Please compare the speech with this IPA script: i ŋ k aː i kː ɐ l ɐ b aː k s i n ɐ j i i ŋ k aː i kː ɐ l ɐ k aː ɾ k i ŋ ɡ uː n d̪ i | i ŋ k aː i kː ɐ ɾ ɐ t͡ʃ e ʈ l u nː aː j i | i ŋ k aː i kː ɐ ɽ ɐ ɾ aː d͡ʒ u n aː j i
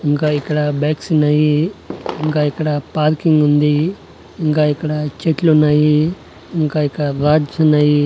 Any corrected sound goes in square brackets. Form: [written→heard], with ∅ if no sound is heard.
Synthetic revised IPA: i ŋ k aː i kː ɐ [l→ɽ] ɐ b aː k s i n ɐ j i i ŋ k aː i kː ɐ [l→ɽ] ɐ [k→p] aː ɾ k i ŋ ɡ [uː→u] n d̪ i | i ŋ k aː i kː ɐ [ɾ→ɽ] ɐ t͡ʃ e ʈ l u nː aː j i | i ŋ k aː i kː ɐ ɽ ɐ ɾ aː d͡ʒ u n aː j i